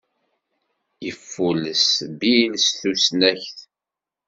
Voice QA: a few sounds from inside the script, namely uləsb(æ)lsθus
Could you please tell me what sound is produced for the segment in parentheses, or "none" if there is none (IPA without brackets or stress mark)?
i